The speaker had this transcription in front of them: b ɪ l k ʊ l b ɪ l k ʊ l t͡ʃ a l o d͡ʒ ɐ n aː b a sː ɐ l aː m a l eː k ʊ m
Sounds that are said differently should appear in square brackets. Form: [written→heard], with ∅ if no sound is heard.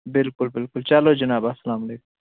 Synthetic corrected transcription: b ɪ l k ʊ l b ɪ l k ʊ l t͡ʃ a l o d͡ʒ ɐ n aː b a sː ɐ l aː m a l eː k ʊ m